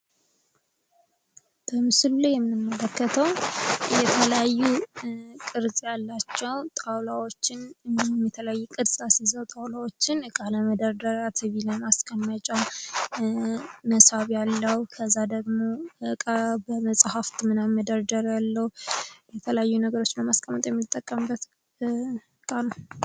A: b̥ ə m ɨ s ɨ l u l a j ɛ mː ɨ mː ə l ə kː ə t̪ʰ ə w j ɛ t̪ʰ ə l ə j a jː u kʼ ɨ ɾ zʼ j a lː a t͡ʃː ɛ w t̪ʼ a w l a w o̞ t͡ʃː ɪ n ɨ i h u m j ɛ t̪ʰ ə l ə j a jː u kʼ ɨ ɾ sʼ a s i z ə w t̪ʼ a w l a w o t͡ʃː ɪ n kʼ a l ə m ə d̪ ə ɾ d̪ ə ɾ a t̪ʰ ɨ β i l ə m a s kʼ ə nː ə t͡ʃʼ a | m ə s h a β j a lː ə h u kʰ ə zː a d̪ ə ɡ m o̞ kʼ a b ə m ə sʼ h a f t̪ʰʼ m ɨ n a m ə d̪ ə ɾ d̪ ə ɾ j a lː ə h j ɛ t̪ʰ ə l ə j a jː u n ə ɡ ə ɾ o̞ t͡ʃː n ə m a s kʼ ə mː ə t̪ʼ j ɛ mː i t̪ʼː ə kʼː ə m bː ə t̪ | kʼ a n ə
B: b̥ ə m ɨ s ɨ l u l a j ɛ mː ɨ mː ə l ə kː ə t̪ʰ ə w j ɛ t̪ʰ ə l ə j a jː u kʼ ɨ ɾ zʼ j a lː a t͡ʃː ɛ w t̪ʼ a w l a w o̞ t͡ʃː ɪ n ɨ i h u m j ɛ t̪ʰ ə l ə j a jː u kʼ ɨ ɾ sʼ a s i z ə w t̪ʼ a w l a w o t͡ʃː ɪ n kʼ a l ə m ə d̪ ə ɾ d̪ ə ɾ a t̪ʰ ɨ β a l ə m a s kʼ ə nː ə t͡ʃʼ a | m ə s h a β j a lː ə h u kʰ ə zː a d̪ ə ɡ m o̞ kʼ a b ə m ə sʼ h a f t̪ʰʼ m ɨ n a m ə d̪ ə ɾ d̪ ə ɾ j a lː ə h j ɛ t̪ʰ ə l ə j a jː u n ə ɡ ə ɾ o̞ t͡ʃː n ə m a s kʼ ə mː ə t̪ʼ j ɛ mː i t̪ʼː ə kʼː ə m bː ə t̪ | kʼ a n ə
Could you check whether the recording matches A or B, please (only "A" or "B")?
A